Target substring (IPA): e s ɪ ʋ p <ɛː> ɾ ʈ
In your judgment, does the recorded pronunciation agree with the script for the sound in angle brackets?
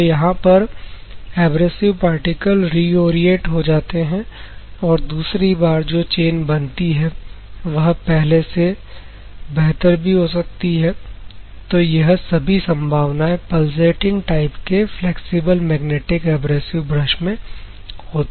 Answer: no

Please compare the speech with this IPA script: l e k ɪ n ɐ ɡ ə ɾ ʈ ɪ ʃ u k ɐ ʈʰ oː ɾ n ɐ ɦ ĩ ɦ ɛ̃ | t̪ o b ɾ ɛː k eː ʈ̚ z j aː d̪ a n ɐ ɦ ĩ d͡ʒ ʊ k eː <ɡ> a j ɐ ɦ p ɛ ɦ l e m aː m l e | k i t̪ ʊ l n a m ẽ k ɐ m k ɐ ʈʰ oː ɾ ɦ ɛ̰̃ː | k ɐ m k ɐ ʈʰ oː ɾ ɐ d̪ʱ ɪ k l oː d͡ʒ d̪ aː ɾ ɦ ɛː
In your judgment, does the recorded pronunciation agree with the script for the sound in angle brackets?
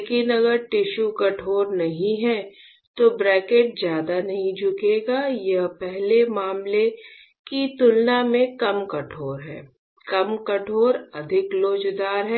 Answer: yes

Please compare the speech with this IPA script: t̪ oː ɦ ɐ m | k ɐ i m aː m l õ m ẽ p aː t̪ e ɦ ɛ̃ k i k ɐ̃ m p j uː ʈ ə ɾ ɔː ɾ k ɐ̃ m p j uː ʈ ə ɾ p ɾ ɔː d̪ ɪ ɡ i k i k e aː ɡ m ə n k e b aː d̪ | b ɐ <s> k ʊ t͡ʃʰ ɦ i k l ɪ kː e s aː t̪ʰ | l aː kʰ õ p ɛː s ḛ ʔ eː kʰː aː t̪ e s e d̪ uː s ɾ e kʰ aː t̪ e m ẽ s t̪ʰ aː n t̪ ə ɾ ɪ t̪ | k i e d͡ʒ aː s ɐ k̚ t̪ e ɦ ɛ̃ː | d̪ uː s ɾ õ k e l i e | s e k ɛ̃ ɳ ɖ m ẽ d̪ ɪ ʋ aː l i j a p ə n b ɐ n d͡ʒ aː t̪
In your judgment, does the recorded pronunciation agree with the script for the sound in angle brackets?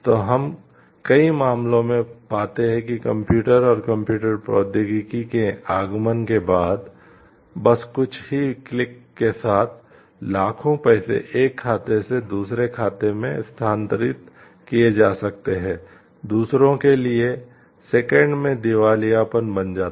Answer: yes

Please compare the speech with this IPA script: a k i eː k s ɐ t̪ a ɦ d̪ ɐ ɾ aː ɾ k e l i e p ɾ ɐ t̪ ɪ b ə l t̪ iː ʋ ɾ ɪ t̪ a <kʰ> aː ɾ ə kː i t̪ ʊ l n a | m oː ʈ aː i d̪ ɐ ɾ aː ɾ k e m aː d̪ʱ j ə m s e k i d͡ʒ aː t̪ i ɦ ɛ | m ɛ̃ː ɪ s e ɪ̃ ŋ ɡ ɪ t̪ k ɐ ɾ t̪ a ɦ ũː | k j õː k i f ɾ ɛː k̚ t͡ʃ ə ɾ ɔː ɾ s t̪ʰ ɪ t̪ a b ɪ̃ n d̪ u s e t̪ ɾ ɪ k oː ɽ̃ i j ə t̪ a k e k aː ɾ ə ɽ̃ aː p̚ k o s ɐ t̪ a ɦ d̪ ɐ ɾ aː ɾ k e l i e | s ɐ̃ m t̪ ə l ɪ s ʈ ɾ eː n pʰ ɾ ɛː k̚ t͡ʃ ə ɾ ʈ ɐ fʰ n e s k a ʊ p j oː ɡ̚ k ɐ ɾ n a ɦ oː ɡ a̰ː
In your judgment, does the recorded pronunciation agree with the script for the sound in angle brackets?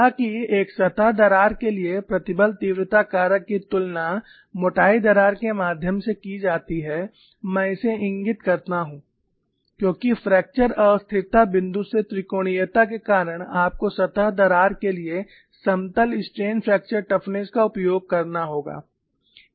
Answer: no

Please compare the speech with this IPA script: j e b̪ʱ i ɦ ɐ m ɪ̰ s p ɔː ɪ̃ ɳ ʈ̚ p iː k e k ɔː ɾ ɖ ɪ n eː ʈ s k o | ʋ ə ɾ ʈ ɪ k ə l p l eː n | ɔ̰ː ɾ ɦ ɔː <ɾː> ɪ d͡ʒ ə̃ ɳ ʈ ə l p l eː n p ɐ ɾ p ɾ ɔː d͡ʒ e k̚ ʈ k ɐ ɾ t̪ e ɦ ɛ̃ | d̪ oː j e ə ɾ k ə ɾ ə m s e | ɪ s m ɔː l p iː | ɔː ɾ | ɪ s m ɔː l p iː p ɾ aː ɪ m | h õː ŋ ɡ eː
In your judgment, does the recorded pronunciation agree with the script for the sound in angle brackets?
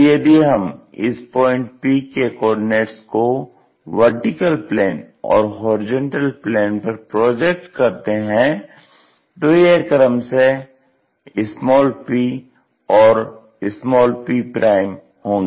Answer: no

